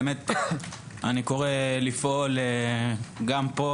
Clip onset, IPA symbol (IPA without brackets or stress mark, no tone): m